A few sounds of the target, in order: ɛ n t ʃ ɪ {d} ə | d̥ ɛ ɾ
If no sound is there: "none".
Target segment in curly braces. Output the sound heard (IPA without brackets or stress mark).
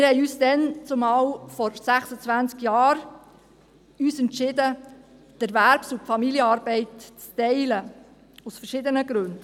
d